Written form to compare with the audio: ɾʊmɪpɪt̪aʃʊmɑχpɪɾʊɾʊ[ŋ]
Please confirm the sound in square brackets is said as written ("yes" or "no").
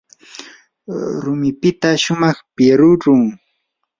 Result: yes